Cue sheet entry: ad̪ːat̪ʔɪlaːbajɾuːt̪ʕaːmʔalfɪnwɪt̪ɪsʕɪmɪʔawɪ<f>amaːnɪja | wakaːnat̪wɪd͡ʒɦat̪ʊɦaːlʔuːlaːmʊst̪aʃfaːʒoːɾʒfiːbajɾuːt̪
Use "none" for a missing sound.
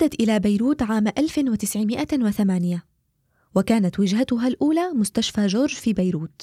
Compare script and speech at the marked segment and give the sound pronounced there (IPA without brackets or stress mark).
θ